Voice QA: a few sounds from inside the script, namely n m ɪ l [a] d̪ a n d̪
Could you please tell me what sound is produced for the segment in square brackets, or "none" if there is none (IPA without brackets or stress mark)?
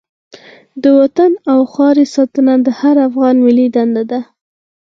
i